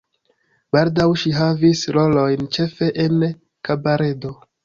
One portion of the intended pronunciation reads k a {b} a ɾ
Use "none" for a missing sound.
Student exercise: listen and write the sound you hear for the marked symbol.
b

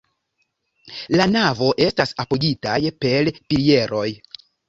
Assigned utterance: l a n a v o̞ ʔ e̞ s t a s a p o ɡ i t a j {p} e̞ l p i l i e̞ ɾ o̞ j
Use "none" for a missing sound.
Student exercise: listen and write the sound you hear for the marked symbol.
p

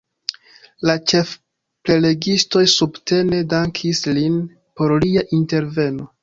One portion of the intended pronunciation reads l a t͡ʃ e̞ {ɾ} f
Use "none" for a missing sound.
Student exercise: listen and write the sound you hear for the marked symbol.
none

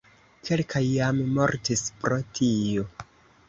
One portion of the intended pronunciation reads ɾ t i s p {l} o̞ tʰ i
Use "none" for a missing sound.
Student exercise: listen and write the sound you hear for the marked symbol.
ɾ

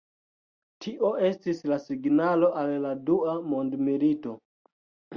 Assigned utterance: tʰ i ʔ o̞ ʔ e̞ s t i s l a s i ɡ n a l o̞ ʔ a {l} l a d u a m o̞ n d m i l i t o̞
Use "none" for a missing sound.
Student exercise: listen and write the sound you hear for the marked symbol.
l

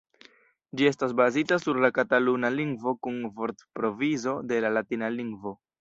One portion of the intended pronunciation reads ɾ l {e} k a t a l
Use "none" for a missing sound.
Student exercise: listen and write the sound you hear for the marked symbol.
a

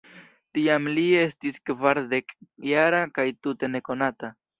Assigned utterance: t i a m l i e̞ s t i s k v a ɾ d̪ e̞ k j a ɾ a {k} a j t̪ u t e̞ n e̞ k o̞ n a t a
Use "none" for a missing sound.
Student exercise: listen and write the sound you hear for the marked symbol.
k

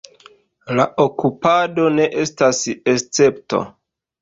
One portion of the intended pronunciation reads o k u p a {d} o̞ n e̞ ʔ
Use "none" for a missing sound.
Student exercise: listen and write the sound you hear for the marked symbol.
d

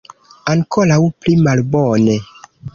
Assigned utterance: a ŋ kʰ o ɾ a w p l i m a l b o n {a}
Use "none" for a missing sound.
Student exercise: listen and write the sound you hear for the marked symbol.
e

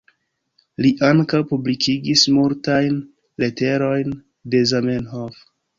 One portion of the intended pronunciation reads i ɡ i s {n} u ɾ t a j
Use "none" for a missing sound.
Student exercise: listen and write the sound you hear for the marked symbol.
m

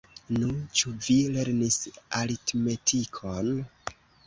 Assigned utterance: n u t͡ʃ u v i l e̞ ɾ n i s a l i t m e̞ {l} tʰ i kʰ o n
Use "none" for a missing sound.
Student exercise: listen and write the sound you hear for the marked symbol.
none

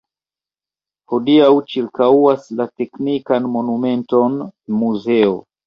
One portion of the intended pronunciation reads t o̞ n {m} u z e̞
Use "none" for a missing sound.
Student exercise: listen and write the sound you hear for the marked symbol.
m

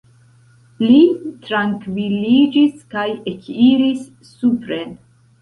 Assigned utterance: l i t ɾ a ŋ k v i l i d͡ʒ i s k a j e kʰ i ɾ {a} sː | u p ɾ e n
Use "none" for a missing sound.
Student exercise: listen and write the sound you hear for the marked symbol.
i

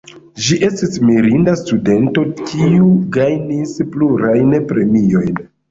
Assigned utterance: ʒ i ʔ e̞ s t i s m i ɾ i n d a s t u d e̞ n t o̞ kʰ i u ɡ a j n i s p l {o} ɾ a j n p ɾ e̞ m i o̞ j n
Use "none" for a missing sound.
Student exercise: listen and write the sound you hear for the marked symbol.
u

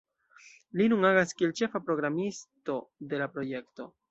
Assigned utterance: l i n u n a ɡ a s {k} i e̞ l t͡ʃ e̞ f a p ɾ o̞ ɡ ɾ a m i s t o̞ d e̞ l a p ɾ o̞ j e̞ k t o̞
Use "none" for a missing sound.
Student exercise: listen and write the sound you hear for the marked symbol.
k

